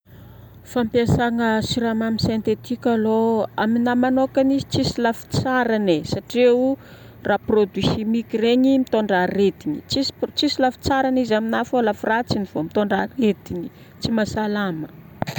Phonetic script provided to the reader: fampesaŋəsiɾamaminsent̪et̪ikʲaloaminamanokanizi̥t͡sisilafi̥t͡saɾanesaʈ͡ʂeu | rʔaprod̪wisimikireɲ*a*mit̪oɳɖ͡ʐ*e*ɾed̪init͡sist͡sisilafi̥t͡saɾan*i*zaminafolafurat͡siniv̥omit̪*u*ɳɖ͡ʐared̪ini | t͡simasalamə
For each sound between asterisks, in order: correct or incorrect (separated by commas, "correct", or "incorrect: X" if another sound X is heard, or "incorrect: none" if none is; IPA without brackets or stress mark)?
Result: incorrect: i, incorrect: a, correct, incorrect: o